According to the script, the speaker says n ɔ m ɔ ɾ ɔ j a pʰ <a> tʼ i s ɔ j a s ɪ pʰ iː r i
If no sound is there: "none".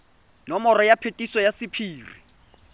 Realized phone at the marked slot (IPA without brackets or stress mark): e